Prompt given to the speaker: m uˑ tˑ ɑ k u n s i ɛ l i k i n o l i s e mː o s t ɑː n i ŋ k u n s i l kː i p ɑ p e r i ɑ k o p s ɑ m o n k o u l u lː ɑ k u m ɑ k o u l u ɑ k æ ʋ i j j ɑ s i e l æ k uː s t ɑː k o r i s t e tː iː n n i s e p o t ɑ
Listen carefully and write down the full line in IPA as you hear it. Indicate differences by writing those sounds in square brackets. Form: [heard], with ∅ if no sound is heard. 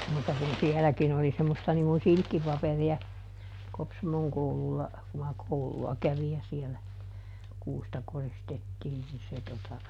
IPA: m uˑ tˑ ɑ k u n s i ɛ l [æ] k i n o l i s e mː o s t [ɑ] n i ŋ k u n s i l kː i p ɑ p e r i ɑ k o p s ɑ m o [ŋ] k o u l u lː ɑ k u m ɑ k o u l u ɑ k æ ʋ i j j ɑ s i e l æ k uː s t [ɑ] k o r i s t e tː iː n n i s e [t] o t ɑ